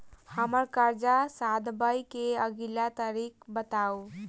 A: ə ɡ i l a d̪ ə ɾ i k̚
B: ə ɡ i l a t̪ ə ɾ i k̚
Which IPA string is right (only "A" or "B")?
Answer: B